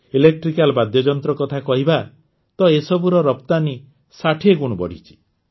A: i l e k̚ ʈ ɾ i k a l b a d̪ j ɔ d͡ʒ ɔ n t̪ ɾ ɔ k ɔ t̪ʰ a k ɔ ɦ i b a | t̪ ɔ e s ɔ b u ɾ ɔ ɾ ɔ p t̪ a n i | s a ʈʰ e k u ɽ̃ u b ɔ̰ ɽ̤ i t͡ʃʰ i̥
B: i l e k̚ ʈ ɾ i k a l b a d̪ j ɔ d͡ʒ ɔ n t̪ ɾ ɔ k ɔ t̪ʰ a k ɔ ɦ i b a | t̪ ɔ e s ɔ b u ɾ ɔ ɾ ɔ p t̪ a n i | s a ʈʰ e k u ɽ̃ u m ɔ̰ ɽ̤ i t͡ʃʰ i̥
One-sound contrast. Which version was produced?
A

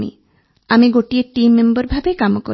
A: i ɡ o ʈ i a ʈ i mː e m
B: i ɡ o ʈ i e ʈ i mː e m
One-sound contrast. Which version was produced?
B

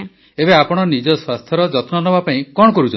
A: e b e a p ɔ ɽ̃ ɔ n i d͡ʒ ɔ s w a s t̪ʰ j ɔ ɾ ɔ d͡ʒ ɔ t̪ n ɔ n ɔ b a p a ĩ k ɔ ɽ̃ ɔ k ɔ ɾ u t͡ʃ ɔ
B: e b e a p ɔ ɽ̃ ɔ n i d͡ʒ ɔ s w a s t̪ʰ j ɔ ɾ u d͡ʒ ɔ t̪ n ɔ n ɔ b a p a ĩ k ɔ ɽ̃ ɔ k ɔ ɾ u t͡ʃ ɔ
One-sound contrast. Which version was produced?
A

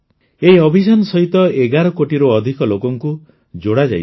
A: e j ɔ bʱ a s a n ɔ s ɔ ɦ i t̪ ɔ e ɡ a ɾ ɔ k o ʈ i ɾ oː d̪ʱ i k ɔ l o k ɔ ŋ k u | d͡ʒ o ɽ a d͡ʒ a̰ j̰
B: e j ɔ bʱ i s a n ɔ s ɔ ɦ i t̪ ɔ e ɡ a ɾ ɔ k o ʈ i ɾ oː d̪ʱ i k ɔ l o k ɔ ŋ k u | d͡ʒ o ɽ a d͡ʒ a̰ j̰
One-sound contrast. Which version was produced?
B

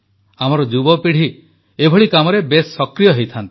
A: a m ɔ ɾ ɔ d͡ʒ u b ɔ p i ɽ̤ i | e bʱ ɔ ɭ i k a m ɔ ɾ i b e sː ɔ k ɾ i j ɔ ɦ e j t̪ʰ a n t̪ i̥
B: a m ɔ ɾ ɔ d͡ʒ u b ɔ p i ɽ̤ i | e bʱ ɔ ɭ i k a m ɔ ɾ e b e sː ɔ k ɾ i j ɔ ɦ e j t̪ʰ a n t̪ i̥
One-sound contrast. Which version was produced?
B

